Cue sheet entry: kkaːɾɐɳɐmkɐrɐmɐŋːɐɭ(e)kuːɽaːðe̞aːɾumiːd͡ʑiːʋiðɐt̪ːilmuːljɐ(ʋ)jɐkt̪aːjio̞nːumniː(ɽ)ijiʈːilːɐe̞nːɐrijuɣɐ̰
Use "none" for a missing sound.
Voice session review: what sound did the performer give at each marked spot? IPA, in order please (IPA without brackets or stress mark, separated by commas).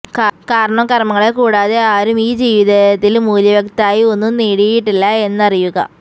e, ʋ, ɽ